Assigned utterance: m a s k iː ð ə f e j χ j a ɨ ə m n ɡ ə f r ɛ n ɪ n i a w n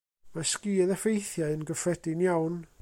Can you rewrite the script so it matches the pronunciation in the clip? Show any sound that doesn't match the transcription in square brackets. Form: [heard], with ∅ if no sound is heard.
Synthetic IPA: m a s k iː ð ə f e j [θ] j a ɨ ə [∅] n ɡ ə f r ɛ [d] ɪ n [j] a w n